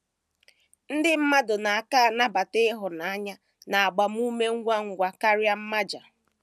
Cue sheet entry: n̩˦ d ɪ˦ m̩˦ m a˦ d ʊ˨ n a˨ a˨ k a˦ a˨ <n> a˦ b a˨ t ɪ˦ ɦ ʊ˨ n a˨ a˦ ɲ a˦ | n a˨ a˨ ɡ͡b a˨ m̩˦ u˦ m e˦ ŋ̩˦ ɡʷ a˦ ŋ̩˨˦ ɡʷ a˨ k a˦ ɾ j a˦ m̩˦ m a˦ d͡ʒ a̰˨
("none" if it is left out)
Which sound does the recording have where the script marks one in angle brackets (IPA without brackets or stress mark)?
n